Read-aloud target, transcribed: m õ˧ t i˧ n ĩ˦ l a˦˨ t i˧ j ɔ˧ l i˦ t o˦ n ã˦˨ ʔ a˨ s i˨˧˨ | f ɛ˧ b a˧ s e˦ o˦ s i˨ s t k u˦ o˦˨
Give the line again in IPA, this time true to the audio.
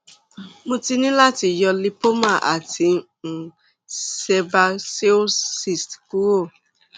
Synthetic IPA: m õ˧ t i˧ n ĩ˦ l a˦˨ t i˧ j ɔ˧ l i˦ p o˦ m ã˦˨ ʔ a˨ t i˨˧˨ | s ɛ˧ b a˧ s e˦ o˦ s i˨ s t k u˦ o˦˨